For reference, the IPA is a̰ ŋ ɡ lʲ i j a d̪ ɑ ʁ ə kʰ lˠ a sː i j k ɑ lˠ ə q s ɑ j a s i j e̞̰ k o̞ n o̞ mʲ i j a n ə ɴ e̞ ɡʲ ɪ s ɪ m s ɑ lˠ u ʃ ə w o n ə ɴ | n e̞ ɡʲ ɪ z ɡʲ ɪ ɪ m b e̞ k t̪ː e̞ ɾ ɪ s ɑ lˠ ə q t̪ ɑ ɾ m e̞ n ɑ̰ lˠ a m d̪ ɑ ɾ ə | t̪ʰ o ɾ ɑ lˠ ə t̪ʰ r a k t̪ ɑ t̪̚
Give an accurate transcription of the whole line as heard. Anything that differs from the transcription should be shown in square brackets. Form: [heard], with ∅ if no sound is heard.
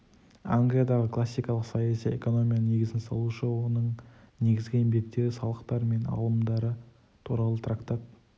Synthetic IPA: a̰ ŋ ɡ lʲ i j a d̪ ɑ ʁ ə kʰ lˠ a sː i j k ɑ lˠ ə q s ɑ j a s i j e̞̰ k o̞ n o̞ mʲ i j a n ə [n] e̞ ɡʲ ɪ [z] ɪ [n] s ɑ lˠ u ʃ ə w o n ə ɴ | n e̞ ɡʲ ɪ z ɡʲ ɪ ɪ m b e̞ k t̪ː e̞ ɾ ɪ s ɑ lˠ ə q t̪ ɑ ɾ m e̞ n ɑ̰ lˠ [ə] m d̪ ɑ ɾ ə | t̪ʰ [u] ɾ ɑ lˠ ə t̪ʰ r a k t̪ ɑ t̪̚

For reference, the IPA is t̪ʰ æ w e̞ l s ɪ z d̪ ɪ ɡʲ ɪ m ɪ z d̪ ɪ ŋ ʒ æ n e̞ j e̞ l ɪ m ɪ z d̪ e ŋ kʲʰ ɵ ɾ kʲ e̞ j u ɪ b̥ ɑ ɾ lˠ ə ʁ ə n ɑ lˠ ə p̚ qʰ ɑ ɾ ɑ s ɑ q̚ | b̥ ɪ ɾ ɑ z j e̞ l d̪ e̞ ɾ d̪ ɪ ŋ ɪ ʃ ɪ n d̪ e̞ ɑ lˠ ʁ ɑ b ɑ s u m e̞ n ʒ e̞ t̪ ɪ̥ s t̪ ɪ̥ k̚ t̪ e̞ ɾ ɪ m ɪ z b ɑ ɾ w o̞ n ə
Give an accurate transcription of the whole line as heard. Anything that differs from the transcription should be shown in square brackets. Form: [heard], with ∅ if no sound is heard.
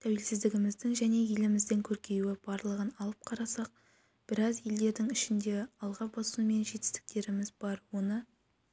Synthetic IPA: t̪ʰ æ w e̞ l s ɪ z d̪ ɪ ɡʲ ɪ m ɪ z d̪ ɪ ŋ ʒ æ n e̞ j e̞ l ɪ m ɪ z d̪ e ŋ kʲʰ ɵ ɾ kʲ e̞ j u ɪ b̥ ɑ ɾ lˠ ə ʁ ə n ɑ lˠ ə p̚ qʰ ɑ ɾ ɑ s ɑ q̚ | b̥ ɪ ɾ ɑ z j e̞ l d̪ e̞ ɾ d̪ ɪ ŋ ɪ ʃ ɪ n d̪ e̞ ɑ lˠ ʁ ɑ b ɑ s u m e̞ n ʒ e̞ t̪ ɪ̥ s t̪ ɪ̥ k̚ t̪ e̞ ɾ ɪ m ɪ z b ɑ ɾ w o̞ n ə

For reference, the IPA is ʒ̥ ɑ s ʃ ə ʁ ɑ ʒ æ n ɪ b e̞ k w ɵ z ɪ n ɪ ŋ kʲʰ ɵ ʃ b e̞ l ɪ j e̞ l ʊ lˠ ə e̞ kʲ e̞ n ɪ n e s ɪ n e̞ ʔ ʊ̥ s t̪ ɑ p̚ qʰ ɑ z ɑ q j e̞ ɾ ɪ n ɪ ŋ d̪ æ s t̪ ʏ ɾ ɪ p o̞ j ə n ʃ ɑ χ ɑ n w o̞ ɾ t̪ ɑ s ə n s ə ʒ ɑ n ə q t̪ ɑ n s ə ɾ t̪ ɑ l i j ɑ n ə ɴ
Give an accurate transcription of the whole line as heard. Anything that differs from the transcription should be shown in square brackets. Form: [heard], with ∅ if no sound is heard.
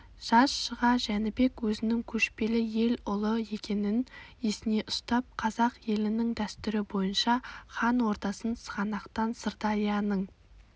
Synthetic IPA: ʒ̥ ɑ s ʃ ə ʁ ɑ ʒ æ n ɪ b e̞ k w ɵ z ɪ n ɪ ŋ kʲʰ ɵ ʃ [p] e̞ l ɪ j e̞ l ʊ lˠ ə e̞ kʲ e̞ n ɪ n e s ɪ n e̞ ʔ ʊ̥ s t̪ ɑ p̚ qʰ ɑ z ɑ q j e̞ [l] ɪ n ɪ ŋ d̪ æ s t̪ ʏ ɾ ɪ [b] o̞ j ə n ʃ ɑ χ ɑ n w o̞ ɾ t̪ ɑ s ə n s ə [ʁ] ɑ n [ɑ] q t̪ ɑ n s ə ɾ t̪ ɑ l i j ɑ n ə ɴ

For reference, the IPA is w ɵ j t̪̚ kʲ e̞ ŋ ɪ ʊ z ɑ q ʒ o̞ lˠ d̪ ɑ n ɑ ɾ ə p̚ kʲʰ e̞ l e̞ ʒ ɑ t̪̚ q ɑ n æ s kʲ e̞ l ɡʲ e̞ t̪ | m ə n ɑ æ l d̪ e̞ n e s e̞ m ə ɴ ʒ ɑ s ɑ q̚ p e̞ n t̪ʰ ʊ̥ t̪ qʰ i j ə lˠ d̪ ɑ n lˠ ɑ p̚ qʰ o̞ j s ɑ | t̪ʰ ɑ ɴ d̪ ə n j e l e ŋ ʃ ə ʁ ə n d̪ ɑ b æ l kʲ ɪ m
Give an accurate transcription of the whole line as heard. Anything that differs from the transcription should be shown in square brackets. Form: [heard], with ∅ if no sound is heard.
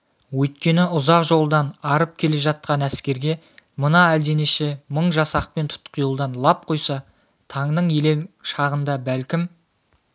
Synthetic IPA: w ɵ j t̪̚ kʲ e̞ [n] ɪ ʊ z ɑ q ʒ o̞ lˠ d̪ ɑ n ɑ ɾ ə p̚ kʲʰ e̞ l e̞ ʒ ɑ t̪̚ q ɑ n æ s kʲ e̞ [ɾ] ɡʲ e̞ [∅] | m ə n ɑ æ l d̪ e̞ n e [ʃ] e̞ m ə ɴ ʒ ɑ s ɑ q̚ p e̞ n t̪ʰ ʊ̥ t̪ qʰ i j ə lˠ d̪ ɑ n lˠ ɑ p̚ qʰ o̞ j s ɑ | t̪ʰ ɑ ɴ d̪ ə [ɴ] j e l e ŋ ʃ [ɑ] ʁ ə n d̪ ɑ b æ l kʲ ɪ m

